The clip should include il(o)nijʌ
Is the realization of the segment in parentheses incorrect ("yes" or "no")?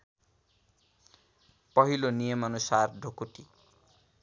no